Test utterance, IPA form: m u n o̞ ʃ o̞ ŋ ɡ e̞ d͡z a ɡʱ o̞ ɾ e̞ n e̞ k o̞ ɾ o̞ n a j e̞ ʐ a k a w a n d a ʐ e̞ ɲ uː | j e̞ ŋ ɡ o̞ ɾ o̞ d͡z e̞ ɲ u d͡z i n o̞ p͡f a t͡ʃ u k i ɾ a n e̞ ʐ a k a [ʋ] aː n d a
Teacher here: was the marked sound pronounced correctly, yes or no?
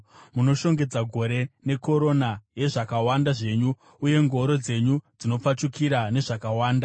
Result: no